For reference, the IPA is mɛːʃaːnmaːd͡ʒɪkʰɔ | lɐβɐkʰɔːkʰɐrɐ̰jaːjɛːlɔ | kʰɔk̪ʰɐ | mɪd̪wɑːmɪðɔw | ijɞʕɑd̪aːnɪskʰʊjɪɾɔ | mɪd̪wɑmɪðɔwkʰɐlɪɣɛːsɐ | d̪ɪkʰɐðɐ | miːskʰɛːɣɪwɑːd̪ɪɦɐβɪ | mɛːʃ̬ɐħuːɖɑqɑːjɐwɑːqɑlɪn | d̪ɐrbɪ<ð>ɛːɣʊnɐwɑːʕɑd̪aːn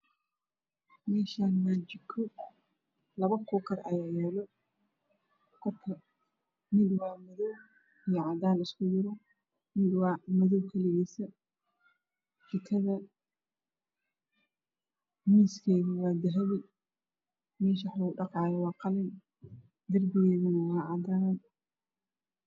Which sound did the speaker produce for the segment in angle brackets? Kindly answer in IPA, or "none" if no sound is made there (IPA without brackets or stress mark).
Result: ɣ